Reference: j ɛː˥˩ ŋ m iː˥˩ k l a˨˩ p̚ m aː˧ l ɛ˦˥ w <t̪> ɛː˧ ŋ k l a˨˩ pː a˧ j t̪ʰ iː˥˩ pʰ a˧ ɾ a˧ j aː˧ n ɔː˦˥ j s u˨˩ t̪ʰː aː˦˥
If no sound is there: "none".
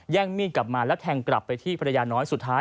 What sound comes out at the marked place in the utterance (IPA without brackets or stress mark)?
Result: t̪ʰ